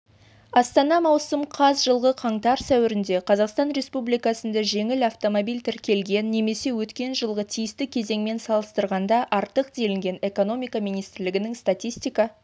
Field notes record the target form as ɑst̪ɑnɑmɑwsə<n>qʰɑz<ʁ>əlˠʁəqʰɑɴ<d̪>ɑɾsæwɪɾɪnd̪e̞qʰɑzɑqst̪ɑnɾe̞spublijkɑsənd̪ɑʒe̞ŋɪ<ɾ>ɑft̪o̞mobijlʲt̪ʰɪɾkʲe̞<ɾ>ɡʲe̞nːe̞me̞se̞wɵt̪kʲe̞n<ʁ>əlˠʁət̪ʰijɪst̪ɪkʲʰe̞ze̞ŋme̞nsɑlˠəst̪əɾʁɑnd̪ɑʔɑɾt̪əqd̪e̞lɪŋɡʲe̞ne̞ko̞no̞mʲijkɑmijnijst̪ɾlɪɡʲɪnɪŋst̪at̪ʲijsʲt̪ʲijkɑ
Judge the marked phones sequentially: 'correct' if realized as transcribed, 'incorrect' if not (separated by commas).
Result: incorrect, incorrect, incorrect, incorrect, incorrect, incorrect